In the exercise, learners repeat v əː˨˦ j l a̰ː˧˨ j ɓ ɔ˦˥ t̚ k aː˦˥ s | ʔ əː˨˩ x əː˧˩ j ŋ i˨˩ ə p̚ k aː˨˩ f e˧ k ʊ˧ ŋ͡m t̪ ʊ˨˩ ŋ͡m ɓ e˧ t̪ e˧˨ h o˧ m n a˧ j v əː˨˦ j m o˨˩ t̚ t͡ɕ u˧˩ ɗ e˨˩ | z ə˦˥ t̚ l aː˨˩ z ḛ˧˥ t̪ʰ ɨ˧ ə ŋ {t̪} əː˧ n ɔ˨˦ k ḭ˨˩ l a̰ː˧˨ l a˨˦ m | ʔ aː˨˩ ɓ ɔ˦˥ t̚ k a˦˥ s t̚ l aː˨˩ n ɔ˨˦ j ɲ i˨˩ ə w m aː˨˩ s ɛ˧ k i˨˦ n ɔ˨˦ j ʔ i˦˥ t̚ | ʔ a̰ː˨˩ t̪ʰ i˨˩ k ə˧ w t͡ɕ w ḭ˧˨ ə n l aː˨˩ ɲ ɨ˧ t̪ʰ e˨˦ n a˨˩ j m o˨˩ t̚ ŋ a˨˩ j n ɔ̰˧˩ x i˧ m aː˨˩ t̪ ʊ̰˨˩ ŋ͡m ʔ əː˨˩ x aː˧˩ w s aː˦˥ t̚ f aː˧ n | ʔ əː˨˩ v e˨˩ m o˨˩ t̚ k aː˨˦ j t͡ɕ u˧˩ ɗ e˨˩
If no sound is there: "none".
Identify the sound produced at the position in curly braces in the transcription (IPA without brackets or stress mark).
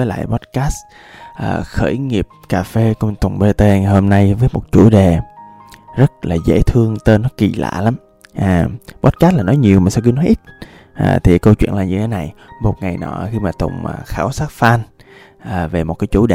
t̪